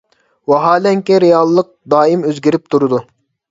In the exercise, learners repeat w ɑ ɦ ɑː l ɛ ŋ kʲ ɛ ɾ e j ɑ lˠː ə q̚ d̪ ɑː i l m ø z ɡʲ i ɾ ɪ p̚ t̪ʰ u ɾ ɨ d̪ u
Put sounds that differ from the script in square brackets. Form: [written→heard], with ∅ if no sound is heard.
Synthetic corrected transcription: w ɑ ɦ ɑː l ɛ ŋ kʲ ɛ ɾ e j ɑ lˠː ə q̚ d̪ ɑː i [l→∅] m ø z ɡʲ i ɾ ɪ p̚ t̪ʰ u ɾ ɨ d̪ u